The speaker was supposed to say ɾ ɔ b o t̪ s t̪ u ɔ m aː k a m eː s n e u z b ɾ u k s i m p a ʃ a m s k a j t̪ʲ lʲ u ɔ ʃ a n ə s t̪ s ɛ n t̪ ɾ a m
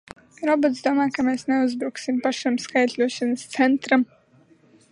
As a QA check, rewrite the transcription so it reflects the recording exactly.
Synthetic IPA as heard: ɾ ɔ b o t̪ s d̪ u ɔ m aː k a m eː s n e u z b ɾ u k s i m p a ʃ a m s k a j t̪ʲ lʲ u ɔ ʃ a n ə s t̪ s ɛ n t̪ ɾ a m